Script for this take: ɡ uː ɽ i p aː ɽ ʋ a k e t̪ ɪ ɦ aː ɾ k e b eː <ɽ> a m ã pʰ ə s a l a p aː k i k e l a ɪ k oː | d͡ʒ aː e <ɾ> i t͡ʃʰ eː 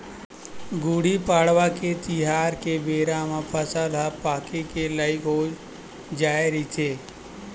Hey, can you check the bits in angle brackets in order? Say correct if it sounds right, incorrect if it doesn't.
incorrect, correct

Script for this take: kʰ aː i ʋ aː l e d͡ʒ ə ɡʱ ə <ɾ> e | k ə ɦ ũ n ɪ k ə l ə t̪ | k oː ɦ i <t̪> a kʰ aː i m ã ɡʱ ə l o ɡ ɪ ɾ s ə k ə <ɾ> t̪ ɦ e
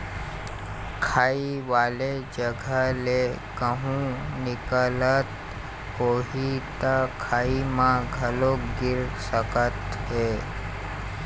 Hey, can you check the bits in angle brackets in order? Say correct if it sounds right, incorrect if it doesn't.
incorrect, correct, incorrect

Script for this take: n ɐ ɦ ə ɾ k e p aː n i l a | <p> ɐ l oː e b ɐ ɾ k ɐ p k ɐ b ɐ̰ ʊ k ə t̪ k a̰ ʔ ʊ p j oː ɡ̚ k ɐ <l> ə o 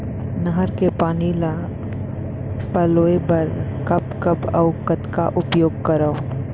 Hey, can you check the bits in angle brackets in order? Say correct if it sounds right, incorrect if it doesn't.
correct, incorrect

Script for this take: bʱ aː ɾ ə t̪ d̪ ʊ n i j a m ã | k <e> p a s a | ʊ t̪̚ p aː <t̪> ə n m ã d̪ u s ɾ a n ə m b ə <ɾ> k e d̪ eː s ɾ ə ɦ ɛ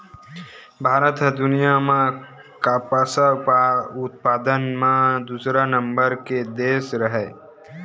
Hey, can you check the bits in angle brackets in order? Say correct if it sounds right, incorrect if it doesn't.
incorrect, incorrect, correct

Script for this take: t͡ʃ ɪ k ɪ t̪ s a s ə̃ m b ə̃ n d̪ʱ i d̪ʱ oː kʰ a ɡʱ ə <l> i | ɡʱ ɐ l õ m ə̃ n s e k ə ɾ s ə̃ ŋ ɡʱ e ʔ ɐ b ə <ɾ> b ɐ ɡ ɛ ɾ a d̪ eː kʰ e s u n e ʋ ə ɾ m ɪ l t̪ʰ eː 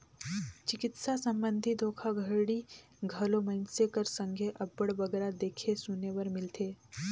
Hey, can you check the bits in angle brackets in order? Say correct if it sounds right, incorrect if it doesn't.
incorrect, incorrect

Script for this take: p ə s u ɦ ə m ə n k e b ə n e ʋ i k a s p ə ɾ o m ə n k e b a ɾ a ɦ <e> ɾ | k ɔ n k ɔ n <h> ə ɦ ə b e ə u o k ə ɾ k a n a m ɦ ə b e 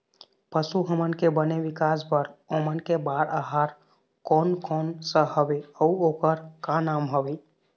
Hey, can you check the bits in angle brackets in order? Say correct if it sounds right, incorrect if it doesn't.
incorrect, incorrect

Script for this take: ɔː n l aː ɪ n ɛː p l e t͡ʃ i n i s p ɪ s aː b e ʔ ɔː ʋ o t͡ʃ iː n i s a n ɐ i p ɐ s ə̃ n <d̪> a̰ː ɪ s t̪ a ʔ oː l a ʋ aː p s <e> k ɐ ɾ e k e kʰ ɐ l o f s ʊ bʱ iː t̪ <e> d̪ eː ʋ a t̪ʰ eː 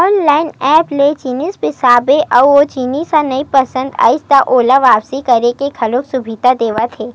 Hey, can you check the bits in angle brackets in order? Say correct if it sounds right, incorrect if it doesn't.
correct, incorrect, incorrect

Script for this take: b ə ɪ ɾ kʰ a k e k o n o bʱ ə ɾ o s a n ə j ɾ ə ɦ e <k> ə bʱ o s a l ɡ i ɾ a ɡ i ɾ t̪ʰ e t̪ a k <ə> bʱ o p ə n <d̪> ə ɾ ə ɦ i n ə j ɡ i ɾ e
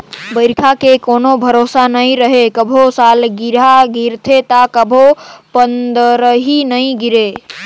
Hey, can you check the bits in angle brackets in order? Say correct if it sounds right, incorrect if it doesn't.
correct, correct, correct

